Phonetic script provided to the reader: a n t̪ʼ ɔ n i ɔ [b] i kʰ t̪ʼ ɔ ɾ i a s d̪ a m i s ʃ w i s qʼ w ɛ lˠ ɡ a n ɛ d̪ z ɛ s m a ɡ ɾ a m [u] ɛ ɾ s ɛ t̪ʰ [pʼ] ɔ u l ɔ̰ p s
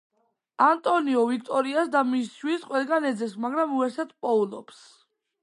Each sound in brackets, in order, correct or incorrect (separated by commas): incorrect, correct, correct